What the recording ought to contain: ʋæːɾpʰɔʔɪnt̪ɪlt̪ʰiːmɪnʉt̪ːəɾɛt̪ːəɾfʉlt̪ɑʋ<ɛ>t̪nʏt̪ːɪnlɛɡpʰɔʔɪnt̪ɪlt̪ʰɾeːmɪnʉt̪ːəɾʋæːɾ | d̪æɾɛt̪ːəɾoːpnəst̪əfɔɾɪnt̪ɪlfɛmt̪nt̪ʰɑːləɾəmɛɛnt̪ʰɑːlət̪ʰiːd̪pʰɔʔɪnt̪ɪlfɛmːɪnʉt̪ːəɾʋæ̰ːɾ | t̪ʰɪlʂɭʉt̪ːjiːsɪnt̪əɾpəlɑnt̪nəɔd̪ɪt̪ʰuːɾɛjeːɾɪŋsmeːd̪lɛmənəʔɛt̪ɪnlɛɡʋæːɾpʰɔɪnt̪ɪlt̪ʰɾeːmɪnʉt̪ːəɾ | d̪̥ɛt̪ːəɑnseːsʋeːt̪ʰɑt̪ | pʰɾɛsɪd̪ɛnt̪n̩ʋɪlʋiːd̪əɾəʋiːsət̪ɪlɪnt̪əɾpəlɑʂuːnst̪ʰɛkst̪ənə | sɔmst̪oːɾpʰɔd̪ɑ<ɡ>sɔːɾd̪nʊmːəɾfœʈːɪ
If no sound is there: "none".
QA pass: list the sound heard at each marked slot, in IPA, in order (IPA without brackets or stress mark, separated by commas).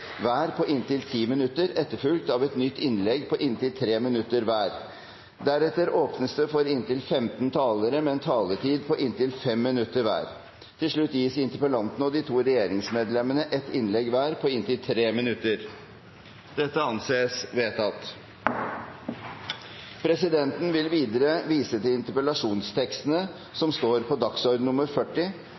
ɛ, k